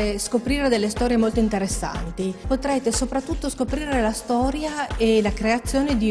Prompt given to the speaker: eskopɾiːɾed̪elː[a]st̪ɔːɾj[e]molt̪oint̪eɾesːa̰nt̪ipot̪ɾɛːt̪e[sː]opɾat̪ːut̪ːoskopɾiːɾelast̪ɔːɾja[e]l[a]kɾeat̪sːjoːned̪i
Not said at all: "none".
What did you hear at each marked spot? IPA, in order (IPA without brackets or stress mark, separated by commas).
e, e, s, e, a